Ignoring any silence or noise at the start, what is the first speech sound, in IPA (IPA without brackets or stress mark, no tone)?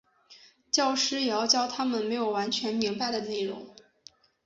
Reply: t͡ɕ